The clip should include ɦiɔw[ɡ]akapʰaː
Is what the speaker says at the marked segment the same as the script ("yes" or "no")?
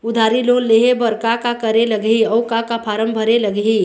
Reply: no